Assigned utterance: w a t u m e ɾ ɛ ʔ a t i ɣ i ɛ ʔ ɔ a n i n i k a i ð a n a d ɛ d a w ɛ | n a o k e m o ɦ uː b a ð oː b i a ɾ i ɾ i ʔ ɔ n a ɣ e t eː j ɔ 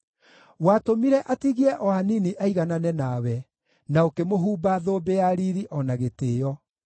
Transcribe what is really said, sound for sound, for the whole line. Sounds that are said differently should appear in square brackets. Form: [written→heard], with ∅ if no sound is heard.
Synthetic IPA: w a t [u→o] m [e→i] ɾ ɛ ʔ a t i ɣ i ɛ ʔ ɔ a n i n i [k→ʔ] a i [ð→ɣ] a n a [d→n] ɛ [d→n] a w ɛ | n a o k e m o ɦ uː b a ð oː b [i→e] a ɾ i ɾ i ʔ ɔ n a ɣ e t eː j ɔ